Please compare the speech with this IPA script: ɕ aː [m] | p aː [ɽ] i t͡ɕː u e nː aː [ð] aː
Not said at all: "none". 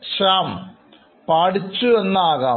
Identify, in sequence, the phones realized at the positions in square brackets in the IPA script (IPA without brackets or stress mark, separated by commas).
m, ɽ, ɣ